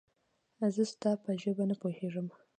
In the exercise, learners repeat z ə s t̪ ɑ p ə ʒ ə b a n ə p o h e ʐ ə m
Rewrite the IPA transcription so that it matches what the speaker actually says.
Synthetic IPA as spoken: z ə s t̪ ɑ p ə ʒ ə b a n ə p o h e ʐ ə m